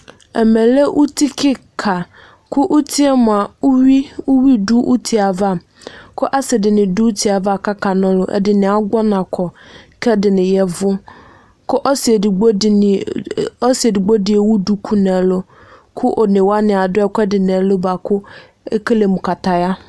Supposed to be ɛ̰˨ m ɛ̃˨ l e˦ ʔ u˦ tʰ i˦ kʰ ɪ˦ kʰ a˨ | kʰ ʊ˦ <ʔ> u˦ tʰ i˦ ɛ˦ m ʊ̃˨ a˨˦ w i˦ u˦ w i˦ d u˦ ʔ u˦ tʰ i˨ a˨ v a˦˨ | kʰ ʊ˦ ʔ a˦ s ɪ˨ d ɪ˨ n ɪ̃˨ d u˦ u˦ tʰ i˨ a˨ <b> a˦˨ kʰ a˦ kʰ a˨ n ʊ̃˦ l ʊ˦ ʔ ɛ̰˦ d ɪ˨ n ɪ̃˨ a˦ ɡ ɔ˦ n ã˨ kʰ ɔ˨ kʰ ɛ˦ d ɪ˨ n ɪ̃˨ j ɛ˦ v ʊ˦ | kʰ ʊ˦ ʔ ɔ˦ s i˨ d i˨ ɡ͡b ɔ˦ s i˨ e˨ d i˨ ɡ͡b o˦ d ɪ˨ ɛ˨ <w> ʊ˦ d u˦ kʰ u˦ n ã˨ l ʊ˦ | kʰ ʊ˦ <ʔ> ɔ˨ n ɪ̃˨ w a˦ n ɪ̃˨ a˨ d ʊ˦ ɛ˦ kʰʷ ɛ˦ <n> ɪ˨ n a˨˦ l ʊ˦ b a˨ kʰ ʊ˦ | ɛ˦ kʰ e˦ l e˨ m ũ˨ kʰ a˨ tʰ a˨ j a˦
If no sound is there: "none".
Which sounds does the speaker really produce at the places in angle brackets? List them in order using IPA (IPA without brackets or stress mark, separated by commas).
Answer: ʔ, v, w, ʔ, d